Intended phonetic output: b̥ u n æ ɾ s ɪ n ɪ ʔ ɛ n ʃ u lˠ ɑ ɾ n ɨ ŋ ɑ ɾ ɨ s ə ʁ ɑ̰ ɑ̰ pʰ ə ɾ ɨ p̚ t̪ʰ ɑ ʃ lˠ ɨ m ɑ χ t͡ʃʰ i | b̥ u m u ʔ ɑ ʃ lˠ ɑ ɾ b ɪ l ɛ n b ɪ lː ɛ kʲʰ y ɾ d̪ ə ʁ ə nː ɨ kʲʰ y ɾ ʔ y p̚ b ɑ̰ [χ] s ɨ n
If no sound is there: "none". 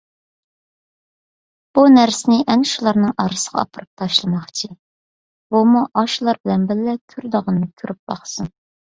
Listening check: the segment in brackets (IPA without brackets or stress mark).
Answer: χ